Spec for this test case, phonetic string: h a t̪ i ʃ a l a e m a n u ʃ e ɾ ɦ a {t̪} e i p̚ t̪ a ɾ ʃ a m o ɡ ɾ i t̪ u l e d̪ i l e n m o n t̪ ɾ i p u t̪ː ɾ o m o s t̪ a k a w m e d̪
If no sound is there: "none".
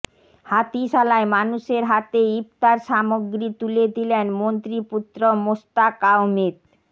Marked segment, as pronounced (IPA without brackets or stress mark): t̪